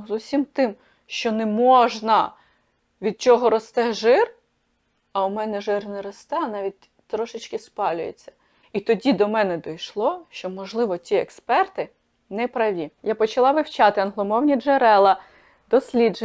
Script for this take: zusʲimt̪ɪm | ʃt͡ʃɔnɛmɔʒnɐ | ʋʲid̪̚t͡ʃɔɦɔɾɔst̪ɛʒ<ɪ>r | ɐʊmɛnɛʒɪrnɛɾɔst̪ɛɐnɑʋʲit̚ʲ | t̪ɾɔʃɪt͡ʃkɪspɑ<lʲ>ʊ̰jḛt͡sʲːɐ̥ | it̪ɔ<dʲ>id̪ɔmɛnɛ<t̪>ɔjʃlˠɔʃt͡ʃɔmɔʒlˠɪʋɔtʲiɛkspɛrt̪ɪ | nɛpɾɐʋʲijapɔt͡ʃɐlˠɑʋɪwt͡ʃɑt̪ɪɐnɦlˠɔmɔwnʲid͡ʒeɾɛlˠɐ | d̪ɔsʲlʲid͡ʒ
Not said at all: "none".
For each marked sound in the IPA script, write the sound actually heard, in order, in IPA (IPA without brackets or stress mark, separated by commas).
ɪ, lʲ, dʲ, d̪